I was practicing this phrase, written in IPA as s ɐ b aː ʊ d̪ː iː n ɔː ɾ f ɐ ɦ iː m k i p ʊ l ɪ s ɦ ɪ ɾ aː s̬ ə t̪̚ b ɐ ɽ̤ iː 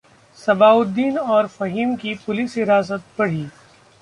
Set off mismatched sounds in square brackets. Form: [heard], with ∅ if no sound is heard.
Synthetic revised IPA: s ɐ b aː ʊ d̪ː iː n ɔː ɾ f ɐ ɦ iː m k i p ʊ l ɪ s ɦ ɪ ɾ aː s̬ ə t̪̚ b ɐ ɽ̤ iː